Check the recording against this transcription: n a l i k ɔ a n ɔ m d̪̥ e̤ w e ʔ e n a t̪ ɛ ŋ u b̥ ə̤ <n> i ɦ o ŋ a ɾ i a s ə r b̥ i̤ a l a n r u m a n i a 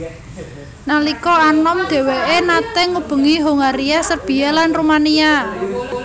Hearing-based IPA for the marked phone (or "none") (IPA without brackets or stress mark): ŋ